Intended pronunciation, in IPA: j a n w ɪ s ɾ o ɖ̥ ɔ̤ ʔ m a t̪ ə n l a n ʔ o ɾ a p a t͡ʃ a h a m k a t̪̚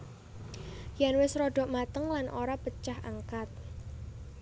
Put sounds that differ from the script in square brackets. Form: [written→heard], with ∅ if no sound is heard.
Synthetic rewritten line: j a n w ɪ s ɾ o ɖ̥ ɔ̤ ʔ m a t̪ ə [n→ŋ] l a n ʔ o ɾ a p [a→ə] t͡ʃ a h a [m→ŋ] k a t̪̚

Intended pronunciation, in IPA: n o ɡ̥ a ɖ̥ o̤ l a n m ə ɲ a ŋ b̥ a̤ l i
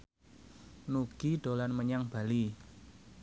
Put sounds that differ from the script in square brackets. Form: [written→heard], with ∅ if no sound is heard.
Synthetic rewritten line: n [o→u] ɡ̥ [a→i] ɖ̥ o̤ l a n m ə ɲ a ŋ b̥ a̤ l i

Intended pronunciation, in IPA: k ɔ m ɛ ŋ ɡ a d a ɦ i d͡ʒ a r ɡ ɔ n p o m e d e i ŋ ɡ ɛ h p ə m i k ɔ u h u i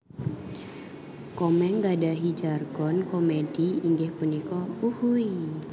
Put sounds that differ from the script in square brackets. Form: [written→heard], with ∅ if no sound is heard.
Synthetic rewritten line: k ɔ m ɛ ŋ ɡ a d a ɦ i d͡ʒ a r ɡ ɔ n [p→k] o m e d [e→i] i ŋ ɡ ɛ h p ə [m→n] i k ɔ u h u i

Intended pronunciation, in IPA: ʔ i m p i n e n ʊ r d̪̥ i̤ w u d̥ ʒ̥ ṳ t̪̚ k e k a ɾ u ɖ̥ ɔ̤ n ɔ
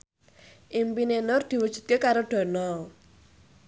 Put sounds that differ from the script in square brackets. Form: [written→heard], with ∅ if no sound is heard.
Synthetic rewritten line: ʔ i m p i n e n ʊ r d̪̥ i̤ w u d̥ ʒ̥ ṳ t̪̚ k e k a ɾ [u→o] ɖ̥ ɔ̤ n ɔ

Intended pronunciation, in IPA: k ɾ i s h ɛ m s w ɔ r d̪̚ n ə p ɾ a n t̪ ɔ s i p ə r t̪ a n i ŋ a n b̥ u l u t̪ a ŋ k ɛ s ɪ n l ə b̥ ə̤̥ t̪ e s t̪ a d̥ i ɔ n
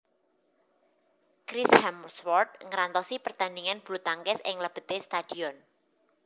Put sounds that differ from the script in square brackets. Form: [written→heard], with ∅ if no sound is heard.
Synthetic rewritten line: k ɾ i s h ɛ m s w ɔ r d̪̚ [n→ŋ] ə [p→∅] ɾ a n t̪ ɔ s i p ə r t̪ a n i ŋ a n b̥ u l u t̪ a ŋ k ɛ s ɪ [n→ŋ] l ə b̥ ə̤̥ t̪ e s t̪ a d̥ i ɔ n

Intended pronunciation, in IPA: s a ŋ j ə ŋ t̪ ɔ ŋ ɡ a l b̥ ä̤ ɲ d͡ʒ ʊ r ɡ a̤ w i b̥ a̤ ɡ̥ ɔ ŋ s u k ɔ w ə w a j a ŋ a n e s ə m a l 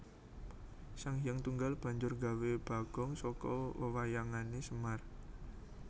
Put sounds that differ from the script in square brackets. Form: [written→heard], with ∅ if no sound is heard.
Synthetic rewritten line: s a ŋ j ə ŋ t̪ [ɔ→u] ŋ ɡ a l b̥ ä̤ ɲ d͡ʒ ʊ r ɡ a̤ w [i→e] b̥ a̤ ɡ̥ ɔ ŋ s [u→ɔ] k ɔ w ə w a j a ŋ a n e s ə m a [l→r]

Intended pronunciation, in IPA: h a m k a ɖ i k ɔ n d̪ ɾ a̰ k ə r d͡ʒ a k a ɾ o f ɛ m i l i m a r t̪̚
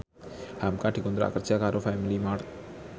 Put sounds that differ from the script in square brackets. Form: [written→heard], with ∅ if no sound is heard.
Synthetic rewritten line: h a m k a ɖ i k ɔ n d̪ ɾ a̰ k ə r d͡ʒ a k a ɾ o f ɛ m i l i m a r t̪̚

